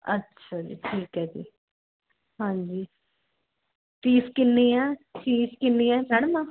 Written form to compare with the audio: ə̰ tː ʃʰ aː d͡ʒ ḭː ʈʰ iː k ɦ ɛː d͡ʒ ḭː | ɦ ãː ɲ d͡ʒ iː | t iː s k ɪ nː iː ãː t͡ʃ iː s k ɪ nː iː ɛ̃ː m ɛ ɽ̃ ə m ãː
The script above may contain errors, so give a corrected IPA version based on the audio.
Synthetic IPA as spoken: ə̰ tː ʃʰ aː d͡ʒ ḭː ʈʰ iː k ɦ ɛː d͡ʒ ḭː | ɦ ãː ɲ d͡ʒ iː | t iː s k ɪ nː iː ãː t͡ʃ iː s k ɪ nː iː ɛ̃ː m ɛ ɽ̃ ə m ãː